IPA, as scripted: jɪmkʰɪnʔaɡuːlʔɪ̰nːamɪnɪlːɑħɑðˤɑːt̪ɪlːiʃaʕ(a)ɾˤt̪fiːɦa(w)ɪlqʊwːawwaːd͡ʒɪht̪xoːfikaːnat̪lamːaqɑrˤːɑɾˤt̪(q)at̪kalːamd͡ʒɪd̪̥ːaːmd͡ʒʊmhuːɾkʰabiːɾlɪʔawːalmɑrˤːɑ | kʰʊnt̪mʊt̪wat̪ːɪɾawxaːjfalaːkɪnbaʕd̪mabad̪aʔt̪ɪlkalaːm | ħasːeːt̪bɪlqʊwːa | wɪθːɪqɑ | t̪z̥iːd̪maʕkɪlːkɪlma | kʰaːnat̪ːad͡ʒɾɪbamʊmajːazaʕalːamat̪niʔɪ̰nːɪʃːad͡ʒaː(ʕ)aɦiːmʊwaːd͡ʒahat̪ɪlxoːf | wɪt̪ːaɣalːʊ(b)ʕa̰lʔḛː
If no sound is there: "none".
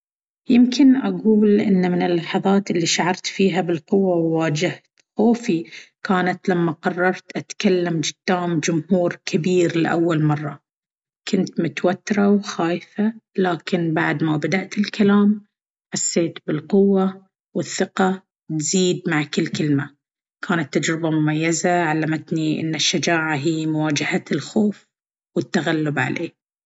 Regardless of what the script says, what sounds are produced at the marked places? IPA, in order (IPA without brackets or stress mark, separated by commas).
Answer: ɑ, b, ʔ, ʕ, b